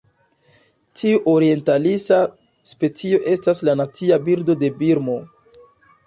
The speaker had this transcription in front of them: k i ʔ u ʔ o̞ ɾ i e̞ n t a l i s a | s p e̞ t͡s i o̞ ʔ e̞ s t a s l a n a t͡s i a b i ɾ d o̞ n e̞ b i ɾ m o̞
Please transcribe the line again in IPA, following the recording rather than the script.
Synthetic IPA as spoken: t i u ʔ o̞ ɾ i e̞ n t a l i s a | s p e̞ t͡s i o̞ ʔ e̞ s t a s l a n a t͡s i a b i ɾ d o̞ d e̞ b i ɾ m o̞